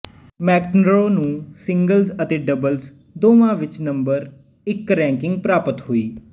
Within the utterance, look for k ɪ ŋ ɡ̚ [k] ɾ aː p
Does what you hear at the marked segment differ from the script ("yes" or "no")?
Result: yes